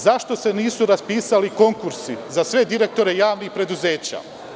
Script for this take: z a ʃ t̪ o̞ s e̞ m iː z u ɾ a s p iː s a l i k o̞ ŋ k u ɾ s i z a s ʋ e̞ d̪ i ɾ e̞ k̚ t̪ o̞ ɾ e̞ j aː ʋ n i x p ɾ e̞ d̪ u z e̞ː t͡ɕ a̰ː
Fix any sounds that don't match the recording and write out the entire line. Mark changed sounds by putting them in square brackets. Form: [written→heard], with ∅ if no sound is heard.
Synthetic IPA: z a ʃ t̪ o̞ s e̞ [m→n] iː [z→s] u ɾ a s p iː s a l i k o̞ ŋ k u ɾ s i z a s ʋ e̞ d̪ i ɾ e̞ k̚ t̪ o̞ ɾ e̞ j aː ʋ n i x p ɾ e̞ d̪ u z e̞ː t͡ɕ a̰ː